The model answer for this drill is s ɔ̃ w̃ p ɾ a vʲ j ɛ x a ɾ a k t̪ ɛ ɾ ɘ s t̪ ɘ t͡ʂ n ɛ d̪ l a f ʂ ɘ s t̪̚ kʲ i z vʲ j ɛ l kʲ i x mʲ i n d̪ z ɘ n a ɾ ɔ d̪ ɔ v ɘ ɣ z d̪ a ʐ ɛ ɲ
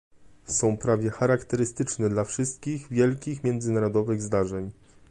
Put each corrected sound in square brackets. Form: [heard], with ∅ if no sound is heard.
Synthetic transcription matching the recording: s ɔ̃ w̃ p ɾ a vʲ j ɛ x a ɾ a k t̪ ɛ ɾ ɘ s t̪ ɘ t͡ʂ n ɛ d̪ l a f ʂ ɘ s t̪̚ kʲ i [ɣ] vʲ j ɛ l kʲ i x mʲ [ɛ] n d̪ z ɘ n a ɾ ɔ d̪ ɔ v ɘ ɣ z d̪ a ʐ ɛ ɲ